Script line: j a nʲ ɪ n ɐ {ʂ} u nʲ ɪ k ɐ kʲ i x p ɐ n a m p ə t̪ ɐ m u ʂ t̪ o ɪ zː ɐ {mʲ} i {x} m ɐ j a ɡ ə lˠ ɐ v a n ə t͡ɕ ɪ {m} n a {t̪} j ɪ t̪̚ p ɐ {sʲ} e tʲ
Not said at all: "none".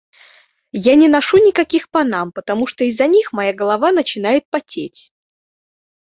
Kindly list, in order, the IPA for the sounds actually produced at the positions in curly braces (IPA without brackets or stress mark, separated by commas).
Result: ʂ, nʲ, x, none, none, tʲ